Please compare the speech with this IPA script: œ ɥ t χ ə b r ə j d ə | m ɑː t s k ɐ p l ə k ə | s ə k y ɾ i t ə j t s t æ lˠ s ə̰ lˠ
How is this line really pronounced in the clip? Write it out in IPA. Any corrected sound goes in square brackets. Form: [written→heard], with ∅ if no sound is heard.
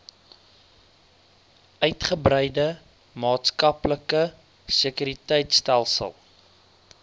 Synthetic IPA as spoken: œ ɥ t χ ə b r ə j d ə | m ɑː t s k ɐ p l ə k ə | s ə k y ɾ i t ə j t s t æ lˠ s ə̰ lˠ